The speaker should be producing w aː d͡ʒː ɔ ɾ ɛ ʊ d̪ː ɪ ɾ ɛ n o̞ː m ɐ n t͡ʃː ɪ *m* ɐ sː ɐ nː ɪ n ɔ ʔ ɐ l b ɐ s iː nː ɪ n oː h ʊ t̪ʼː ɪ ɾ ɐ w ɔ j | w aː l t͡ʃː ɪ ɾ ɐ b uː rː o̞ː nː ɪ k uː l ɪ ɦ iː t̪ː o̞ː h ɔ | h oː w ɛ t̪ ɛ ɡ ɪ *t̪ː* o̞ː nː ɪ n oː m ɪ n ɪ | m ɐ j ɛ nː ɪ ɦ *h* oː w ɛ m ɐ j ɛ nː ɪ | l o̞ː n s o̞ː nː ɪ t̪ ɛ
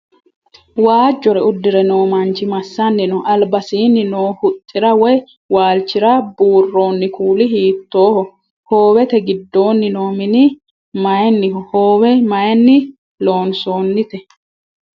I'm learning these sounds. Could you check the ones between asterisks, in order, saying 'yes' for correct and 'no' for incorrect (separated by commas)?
yes, no, yes